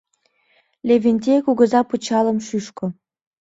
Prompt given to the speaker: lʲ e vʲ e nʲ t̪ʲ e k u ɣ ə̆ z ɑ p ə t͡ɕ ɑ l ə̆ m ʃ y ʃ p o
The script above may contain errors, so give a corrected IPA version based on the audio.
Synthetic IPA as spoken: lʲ e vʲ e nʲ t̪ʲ e k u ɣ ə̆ z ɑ p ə t͡ɕ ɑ l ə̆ m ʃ y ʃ k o